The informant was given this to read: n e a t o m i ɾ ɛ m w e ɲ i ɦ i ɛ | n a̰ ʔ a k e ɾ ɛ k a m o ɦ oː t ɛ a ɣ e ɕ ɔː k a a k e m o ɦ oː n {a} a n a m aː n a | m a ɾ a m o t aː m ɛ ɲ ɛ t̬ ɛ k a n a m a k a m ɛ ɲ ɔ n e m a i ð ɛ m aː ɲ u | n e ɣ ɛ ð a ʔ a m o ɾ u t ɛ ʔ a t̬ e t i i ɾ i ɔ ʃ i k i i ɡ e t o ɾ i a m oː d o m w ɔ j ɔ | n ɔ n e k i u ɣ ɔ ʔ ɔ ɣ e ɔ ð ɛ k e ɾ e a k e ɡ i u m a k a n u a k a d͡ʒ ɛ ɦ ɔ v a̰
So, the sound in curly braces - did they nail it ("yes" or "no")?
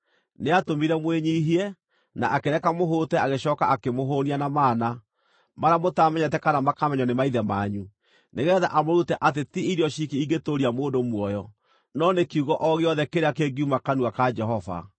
no